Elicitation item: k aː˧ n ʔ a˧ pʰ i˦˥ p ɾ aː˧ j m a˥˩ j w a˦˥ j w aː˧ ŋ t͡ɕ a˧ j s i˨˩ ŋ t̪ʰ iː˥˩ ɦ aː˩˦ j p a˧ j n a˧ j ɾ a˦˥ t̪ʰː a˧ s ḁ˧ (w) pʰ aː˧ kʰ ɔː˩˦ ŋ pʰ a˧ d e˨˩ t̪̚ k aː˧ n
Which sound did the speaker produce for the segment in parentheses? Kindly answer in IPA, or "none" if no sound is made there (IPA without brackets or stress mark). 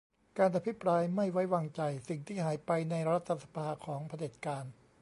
none